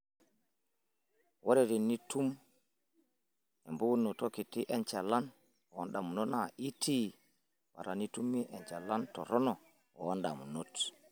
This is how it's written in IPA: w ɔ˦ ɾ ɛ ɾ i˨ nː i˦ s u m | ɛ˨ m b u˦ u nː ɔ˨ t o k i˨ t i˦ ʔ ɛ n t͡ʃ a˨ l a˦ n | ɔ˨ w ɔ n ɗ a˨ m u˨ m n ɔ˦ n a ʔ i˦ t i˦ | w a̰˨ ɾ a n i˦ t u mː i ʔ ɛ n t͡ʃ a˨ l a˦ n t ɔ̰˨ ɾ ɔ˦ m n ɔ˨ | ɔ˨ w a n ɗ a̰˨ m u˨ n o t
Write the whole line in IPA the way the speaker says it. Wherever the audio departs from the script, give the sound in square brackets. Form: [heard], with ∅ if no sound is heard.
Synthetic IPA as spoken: w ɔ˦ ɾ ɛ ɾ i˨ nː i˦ [t] u m | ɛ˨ m b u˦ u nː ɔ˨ t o k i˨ t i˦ ʔ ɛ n t͡ʃ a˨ l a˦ n | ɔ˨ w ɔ n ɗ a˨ m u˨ [∅] n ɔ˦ n a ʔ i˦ t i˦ | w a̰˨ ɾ a n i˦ t u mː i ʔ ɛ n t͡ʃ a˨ l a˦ n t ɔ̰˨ ɾ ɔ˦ [∅] n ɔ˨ | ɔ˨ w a n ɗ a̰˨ m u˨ n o t